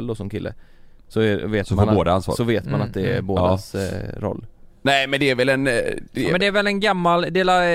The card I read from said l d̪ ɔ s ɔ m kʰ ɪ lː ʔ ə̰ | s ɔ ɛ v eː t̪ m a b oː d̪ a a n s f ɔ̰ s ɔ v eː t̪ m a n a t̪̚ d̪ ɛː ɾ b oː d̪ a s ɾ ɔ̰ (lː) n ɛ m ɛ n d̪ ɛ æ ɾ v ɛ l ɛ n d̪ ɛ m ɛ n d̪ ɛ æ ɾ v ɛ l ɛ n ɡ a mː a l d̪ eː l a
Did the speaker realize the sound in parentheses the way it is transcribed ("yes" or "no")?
yes